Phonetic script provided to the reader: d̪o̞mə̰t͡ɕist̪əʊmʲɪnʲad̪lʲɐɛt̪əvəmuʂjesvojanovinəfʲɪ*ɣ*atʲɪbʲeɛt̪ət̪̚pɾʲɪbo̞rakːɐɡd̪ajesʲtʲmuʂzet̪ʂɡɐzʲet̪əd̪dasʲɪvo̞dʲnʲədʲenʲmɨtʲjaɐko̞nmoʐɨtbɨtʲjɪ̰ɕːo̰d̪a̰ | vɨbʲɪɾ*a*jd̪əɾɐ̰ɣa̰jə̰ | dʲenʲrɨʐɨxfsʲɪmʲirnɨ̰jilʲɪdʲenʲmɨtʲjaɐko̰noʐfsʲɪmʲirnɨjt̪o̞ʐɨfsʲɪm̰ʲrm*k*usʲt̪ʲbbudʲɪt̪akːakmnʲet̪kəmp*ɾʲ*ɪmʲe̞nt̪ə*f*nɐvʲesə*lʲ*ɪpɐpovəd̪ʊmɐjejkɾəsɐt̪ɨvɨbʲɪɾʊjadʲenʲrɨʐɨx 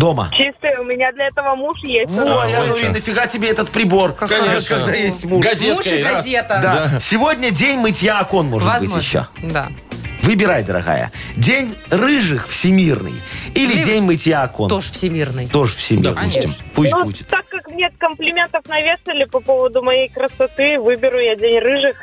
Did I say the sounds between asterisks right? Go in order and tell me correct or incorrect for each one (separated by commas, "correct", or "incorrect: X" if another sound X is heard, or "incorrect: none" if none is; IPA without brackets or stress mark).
correct, correct, incorrect: p, incorrect: lʲ, correct, correct